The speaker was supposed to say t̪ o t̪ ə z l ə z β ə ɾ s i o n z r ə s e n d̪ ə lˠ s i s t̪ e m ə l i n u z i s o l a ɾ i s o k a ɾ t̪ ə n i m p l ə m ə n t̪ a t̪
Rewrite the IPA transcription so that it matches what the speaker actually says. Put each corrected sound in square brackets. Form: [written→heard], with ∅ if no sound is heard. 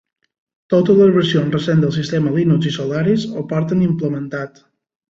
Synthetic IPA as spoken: t̪ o t̪ ə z l ə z β ə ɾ s i o n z r ə s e n d̪ ə lˠ s i s t̪ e m ə l i n u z i s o l a ɾ i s o [k→p] a ɾ t̪ ə n i m p l ə m ə n t̪ a t̪